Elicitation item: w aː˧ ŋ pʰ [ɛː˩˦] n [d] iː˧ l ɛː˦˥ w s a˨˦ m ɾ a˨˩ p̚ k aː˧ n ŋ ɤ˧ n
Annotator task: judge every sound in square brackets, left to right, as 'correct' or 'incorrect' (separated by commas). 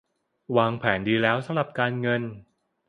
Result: correct, correct